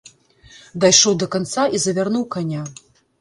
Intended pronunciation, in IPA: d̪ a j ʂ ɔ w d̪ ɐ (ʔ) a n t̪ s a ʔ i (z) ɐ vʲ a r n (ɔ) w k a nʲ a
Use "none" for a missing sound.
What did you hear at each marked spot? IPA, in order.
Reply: k, z, u

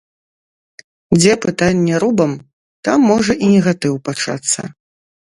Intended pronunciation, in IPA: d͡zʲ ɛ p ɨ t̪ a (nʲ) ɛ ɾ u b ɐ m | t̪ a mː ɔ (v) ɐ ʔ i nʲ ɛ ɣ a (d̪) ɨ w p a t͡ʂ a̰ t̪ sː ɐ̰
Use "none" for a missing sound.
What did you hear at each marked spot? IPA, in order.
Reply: nʲː, ʐ, t̪

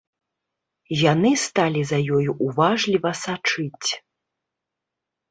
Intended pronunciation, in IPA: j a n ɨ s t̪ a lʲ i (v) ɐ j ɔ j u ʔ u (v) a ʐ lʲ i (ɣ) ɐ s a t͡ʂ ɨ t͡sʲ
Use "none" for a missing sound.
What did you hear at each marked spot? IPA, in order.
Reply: z, v, v

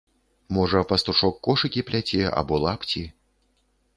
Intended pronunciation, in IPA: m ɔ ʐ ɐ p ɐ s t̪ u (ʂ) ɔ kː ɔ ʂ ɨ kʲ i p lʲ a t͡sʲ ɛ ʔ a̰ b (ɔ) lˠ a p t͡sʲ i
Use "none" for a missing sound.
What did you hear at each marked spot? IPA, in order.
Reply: ʂ, ɔ

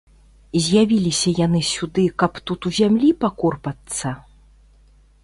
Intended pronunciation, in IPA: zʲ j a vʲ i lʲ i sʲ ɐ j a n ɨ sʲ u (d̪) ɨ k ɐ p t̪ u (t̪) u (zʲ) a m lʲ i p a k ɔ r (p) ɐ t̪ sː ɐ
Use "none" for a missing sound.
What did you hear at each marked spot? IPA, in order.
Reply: d̪, t̪, zʲ, p

